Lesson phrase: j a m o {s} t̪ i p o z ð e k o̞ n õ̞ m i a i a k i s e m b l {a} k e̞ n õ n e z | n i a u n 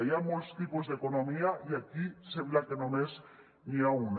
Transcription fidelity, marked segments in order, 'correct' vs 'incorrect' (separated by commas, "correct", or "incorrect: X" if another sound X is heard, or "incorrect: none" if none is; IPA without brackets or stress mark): correct, correct